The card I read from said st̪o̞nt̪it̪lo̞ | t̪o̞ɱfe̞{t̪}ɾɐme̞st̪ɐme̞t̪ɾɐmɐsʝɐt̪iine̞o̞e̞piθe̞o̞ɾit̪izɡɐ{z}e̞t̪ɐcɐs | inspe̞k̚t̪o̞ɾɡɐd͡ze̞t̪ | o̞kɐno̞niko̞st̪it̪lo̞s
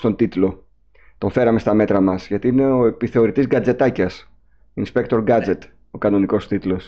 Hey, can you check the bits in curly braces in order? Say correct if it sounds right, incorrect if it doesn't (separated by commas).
incorrect, incorrect